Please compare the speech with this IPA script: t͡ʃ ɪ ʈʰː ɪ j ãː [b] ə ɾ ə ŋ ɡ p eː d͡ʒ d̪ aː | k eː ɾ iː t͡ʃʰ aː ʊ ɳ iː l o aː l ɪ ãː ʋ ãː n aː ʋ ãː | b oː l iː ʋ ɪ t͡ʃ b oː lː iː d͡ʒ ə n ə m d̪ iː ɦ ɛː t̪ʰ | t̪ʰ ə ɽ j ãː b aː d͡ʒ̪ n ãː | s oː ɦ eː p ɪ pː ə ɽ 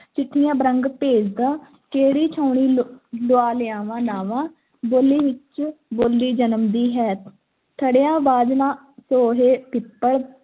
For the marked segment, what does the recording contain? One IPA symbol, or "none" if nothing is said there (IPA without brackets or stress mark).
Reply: b